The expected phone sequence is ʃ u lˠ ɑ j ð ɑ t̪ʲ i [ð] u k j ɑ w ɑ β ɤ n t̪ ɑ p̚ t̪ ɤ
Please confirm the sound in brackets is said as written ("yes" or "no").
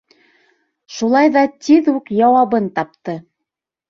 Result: yes